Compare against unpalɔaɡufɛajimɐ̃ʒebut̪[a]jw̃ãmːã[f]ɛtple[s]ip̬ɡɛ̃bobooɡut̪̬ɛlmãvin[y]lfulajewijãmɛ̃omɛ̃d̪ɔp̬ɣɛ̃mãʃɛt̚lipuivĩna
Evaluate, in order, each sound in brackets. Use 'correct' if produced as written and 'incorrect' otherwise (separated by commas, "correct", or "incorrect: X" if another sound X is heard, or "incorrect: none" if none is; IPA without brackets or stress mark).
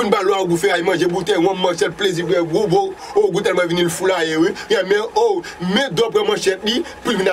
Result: incorrect: ɛ, incorrect: ʃ, incorrect: z, incorrect: i